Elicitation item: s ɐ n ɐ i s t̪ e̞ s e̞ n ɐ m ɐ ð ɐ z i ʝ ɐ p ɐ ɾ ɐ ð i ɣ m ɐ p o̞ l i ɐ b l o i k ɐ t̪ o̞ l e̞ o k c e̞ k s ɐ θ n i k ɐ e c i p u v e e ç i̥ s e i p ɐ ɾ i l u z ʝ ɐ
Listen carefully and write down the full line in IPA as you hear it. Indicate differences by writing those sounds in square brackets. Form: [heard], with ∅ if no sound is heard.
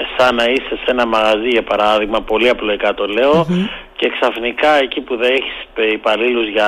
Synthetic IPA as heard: s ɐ n ɐ i s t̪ e̞ s e̞ n ɐ m ɐ [ɣ] ɐ z i ʝ ɐ p ɐ ɾ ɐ ð i ɣ m ɐ p o̞ l i ɐ [p] l o i k ɐ t̪ o̞ l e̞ o [∅] c e̞ k s ɐ [f] n i k ɐ e c i p u [ð] e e ç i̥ s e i p ɐ [l] i l u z ʝ ɐ